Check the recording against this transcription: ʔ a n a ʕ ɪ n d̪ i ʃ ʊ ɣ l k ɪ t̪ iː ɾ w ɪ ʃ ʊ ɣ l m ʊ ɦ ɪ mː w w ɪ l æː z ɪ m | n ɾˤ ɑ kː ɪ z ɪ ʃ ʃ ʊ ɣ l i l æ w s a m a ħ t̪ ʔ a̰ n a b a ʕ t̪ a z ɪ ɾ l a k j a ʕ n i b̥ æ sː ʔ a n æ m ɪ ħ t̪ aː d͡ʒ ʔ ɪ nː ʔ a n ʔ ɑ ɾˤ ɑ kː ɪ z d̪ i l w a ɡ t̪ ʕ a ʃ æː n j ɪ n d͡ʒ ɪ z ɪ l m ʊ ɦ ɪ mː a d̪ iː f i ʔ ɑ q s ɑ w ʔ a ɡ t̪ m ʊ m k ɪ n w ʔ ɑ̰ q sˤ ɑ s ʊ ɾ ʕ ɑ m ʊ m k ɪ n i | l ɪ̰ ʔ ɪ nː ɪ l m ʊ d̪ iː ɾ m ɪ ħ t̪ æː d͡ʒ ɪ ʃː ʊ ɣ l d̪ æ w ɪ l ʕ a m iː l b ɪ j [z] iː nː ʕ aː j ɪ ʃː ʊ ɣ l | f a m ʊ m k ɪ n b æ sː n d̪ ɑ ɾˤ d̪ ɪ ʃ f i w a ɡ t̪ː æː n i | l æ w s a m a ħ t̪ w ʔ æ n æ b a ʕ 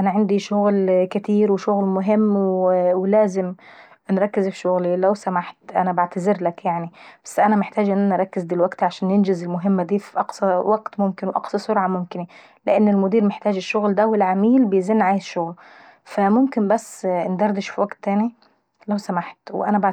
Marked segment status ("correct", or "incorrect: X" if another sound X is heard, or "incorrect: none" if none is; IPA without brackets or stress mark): correct